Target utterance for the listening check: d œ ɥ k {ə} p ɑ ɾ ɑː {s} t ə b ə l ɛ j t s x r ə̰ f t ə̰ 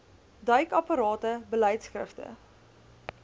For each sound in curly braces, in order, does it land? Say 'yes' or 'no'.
no, no

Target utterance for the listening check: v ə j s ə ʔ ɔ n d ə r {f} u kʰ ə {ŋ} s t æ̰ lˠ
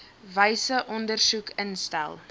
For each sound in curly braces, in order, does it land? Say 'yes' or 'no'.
no, no

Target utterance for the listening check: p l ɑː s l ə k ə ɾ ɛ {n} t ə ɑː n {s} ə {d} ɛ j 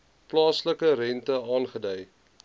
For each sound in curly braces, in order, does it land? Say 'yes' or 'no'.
yes, no, yes

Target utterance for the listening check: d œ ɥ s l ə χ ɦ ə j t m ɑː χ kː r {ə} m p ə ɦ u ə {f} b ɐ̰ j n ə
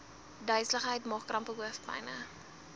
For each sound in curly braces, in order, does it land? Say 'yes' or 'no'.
no, yes

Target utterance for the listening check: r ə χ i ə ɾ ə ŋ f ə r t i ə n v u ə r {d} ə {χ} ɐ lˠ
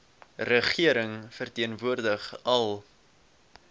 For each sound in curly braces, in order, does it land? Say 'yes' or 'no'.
yes, yes

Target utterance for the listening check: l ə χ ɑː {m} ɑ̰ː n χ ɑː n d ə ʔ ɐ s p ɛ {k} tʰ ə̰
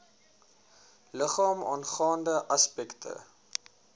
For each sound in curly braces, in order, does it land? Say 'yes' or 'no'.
yes, yes

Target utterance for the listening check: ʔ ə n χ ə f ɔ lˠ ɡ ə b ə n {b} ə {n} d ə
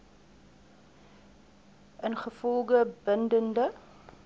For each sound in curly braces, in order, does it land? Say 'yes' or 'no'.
no, yes

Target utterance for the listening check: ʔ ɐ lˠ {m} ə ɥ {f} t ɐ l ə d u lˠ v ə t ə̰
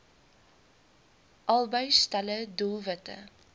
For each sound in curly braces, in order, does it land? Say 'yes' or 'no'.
no, no

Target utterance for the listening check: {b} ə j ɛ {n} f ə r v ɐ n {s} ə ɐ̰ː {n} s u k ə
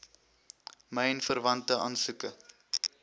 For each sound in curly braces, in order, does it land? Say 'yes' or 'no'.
no, yes, no, yes

